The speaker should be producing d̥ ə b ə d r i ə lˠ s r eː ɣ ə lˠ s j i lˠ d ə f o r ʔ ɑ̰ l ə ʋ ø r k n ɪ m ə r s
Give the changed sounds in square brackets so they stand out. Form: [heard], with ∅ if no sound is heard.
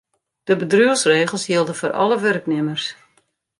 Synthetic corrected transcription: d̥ ə b ə d r [y] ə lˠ s r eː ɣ ə lˠ s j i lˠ d ə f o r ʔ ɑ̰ l ə ʋ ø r k n ɪ m ə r s

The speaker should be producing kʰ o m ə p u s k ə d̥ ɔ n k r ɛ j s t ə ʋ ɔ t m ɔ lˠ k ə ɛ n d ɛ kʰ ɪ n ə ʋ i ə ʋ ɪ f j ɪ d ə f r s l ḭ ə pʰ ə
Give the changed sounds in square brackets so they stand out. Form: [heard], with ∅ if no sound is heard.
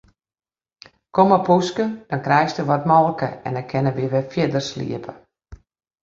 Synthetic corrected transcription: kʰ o m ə p u s k ə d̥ ɔ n k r ɛ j s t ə ʋ ɔ t m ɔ lˠ k ə ɛ n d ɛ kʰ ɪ n ə ʋ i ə ʋ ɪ f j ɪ d ə [∅] r s l ḭ ə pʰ ə

